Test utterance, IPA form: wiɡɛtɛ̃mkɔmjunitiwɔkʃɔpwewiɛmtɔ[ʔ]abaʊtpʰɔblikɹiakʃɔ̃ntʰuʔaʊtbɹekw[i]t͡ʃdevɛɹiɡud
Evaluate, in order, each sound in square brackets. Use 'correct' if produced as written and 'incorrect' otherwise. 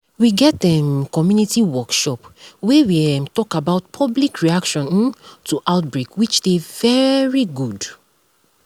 incorrect, correct

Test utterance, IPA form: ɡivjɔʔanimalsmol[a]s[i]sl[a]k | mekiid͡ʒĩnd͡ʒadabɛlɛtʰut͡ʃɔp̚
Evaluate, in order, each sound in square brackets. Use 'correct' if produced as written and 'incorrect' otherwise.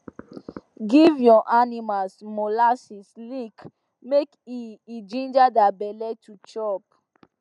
correct, correct, incorrect

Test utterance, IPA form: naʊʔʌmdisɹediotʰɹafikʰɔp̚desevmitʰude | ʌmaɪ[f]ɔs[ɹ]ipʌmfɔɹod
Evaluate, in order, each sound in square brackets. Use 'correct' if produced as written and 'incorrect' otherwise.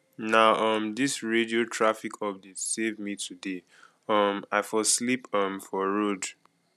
correct, incorrect

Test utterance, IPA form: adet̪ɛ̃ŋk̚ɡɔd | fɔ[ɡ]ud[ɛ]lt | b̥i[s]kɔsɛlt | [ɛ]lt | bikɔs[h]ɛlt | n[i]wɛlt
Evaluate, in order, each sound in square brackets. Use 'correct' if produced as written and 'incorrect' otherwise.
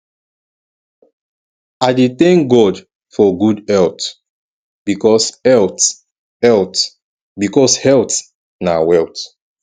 correct, correct, incorrect, correct, correct, incorrect

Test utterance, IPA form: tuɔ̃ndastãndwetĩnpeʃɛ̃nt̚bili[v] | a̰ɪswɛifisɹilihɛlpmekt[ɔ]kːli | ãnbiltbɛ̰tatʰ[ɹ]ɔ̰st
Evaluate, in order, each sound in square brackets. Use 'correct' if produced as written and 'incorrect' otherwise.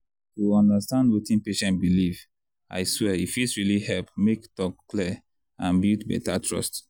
correct, correct, correct

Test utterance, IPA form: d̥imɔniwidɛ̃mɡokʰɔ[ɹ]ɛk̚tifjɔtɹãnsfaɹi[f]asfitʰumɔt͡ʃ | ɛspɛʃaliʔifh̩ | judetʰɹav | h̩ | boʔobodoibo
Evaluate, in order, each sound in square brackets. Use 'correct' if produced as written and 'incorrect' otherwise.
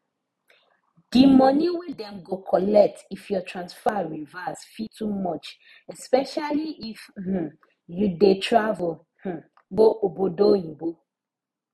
incorrect, incorrect

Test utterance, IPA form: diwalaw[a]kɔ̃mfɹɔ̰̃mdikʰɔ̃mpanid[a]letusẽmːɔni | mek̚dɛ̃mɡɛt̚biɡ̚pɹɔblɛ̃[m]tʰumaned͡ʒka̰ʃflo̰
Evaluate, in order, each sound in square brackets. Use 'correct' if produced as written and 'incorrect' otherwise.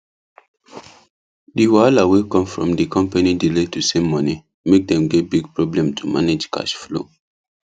incorrect, incorrect, correct

